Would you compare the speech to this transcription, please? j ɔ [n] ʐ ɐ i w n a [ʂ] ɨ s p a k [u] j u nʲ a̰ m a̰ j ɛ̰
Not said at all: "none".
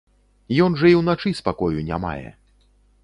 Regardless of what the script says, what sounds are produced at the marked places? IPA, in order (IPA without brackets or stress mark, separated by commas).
n, t͡ʂ, ɔ